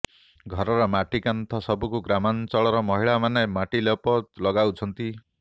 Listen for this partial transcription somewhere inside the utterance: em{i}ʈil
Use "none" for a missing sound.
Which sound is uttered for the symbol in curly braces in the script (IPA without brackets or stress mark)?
a